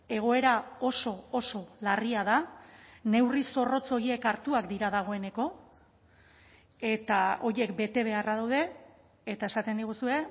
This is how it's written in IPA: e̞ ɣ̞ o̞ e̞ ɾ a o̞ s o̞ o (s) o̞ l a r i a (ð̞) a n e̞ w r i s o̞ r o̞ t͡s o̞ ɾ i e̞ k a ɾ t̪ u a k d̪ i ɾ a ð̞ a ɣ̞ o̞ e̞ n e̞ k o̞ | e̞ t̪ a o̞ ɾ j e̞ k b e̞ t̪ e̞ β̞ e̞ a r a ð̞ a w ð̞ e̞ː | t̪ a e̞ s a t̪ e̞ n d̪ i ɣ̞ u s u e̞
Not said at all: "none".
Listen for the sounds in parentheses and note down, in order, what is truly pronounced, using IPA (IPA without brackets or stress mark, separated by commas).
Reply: s, ð̞